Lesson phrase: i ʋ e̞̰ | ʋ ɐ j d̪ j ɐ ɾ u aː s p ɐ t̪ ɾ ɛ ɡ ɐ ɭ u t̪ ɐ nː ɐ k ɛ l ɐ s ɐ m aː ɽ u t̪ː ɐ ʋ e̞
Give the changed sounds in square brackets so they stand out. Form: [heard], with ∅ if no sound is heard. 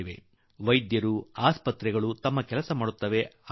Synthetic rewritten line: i ʋ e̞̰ | ʋ ɐ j d̪ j ɐ ɾ u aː s p ɐ t̪ ɾ ɛ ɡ ɐ ɭ u t̪ ɐ [mː] ɐ k ɛ l ɐ s ɐ m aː ɽ u t̪ː ɐ ʋ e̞